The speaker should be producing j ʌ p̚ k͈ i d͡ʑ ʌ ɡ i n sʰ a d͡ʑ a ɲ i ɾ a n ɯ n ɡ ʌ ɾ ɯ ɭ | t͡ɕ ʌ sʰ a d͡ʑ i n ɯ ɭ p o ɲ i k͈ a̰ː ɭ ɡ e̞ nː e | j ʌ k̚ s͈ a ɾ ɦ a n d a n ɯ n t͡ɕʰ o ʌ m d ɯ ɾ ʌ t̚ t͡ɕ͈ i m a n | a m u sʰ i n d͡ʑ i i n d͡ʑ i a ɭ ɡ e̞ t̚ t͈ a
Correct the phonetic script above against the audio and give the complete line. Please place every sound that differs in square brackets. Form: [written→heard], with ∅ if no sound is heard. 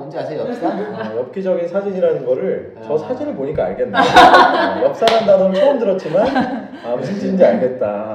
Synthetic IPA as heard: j ʌ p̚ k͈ i d͡ʑ ʌ ɡ i n sʰ a d͡ʑ [a→i] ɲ i ɾ a n ɯ n ɡ ʌ ɾ ɯ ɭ | t͡ɕ ʌ sʰ a d͡ʑ i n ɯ ɭ p o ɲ i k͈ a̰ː ɭ ɡ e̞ nː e | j ʌ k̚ s͈ a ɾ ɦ a n d a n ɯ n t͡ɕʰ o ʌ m d ɯ ɾ ʌ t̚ t͡ɕ͈ i m a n | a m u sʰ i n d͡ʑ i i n d͡ʑ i a ɭ ɡ e̞ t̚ t͈ a